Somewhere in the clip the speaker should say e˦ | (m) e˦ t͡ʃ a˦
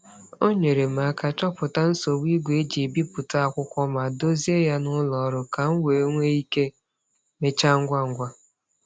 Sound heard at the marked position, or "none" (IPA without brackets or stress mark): m